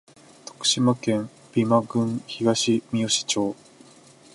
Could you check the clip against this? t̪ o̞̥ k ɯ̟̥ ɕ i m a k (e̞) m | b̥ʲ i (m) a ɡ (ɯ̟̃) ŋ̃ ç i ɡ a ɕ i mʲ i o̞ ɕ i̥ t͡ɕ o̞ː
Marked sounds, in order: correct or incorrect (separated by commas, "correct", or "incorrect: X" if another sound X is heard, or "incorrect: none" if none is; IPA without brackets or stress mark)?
incorrect: ẽ̞, correct, correct